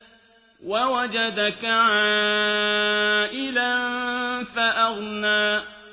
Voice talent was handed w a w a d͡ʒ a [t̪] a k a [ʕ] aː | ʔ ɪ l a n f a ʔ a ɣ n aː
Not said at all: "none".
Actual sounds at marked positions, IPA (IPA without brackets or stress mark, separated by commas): d̪, ʕ